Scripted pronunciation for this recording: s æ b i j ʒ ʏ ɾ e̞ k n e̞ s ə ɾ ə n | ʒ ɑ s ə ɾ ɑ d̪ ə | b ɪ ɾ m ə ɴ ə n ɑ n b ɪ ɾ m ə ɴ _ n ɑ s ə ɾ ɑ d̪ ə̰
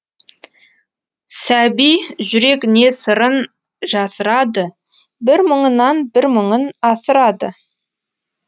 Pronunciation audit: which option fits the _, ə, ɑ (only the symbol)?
ə